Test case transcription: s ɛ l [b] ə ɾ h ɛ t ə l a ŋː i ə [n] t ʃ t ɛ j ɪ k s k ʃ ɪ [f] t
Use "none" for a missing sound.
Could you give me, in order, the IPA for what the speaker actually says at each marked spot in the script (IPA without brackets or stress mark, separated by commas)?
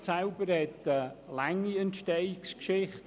b, n, χ